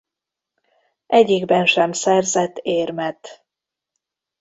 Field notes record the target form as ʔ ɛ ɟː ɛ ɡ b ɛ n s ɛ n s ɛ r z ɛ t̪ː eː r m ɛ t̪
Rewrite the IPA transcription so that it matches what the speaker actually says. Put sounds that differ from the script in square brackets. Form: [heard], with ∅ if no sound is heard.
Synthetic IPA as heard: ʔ ɛ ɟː [i] ɡ b ɛ n [ʃ] ɛ [m] s ɛ r z ɛ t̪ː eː r m ɛ t̪